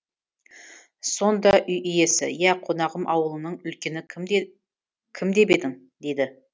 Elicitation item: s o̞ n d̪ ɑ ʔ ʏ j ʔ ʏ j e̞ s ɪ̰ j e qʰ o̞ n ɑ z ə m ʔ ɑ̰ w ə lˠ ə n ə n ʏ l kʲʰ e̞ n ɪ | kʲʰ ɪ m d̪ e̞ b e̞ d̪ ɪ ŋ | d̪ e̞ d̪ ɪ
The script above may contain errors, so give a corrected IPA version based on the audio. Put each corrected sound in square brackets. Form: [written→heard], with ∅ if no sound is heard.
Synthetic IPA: s o̞ n d̪ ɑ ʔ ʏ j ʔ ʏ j e̞ s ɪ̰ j [e→æ] qʰ o̞ n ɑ [z→ʁ] ə m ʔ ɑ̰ w ə lˠ ə n ə [n→ɴ] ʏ l [kʲʰ→kʲ] e̞ n ɪ | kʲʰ ɪ m d̪ e̞ b e̞ d̪ ɪ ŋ | d̪ e̞ d̪ ɪ